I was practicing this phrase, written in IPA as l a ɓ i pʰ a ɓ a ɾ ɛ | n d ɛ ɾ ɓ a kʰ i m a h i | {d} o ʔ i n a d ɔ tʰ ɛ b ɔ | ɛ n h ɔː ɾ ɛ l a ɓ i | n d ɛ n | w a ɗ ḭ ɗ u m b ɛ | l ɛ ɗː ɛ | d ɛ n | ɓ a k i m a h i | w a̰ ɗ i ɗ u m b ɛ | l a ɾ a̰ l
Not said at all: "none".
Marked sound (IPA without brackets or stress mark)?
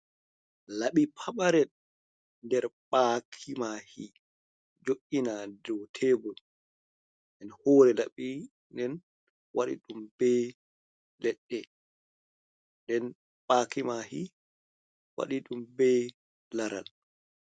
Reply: d͡ʒ